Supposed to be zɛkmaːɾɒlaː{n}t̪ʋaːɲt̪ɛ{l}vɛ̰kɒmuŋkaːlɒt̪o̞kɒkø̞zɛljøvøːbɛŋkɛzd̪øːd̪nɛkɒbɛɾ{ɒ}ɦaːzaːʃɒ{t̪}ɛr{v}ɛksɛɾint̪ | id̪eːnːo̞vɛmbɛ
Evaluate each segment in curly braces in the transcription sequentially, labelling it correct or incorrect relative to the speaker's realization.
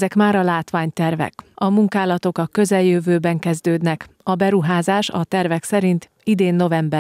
incorrect: none, incorrect: r, incorrect: u, correct, correct

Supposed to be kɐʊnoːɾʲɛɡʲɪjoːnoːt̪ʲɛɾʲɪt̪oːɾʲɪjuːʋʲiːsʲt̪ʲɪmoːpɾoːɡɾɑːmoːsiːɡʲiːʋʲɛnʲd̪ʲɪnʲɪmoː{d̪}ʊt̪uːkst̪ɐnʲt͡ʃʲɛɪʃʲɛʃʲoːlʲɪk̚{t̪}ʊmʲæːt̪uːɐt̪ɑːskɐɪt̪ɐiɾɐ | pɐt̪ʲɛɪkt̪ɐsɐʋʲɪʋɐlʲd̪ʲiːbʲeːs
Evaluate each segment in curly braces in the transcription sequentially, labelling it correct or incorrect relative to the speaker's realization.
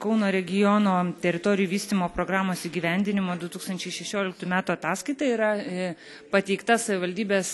correct, correct

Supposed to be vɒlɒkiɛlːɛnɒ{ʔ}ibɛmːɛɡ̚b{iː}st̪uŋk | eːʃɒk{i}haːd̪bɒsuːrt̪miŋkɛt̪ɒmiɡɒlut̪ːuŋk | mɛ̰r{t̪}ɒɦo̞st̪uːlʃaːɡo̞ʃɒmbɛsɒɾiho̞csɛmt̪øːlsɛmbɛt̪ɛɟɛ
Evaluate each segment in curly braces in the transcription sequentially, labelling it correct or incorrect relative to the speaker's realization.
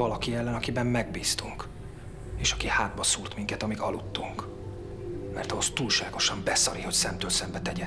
incorrect: k, correct, correct, correct

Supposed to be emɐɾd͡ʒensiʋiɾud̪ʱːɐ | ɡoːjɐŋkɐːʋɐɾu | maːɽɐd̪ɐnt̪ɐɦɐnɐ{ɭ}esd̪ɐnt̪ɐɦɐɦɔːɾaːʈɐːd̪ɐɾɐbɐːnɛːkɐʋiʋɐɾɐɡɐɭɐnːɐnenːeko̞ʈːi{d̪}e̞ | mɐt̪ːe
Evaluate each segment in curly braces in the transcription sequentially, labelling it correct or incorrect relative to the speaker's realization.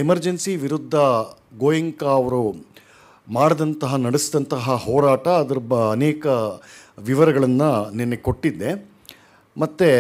incorrect: ɽ, incorrect: d̪ː

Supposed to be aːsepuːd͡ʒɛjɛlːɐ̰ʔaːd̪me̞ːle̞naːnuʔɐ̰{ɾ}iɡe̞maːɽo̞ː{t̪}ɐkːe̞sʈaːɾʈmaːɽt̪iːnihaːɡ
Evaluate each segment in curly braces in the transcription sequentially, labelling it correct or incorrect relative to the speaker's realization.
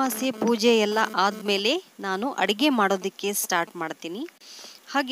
incorrect: ɽ, incorrect: d̪

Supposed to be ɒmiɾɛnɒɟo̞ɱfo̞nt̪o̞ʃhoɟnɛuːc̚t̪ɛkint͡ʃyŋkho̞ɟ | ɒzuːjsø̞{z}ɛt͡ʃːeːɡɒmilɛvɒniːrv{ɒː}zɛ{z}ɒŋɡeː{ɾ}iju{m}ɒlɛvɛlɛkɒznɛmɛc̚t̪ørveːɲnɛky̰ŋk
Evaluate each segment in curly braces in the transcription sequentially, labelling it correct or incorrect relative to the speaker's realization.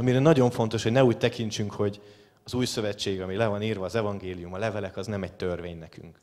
incorrect: v, correct, incorrect: v, incorrect: l, correct

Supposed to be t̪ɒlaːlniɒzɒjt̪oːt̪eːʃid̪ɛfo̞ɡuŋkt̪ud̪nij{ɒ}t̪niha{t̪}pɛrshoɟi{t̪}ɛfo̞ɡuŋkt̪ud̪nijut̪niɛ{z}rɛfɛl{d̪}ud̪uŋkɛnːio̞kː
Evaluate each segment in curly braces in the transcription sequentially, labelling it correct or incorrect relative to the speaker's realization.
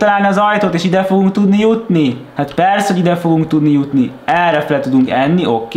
incorrect: u, correct, incorrect: d̪, incorrect: none, incorrect: t̪

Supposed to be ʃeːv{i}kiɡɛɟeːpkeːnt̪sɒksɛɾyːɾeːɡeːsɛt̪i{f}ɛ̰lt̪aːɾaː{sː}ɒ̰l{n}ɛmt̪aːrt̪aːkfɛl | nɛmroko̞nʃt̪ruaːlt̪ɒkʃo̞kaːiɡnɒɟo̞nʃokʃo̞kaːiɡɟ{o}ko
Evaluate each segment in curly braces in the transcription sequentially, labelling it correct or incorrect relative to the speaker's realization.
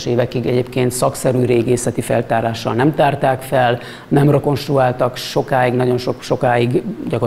incorrect: ɛ, correct, incorrect: ʃː, correct, incorrect: ɒ

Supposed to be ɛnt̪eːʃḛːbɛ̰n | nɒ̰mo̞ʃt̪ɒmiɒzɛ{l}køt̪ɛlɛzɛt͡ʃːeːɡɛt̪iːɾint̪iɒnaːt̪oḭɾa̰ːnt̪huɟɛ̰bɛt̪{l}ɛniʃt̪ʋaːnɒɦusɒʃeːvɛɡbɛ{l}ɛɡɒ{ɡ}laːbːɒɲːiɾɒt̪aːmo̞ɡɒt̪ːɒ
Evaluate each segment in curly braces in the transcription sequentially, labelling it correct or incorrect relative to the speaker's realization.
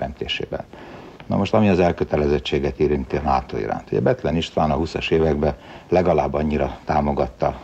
correct, correct, correct, incorrect: none

